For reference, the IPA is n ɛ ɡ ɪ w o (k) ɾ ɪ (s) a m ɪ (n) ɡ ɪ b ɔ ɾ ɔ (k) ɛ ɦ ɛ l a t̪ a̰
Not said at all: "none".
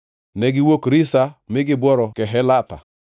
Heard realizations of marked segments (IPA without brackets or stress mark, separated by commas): k, s, none, k